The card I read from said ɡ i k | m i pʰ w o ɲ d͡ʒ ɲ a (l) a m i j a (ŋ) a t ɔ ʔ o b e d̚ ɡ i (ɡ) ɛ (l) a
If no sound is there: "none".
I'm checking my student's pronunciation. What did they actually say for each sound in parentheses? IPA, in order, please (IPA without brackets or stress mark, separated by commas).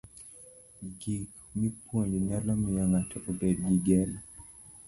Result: l, ŋ, ɡ, l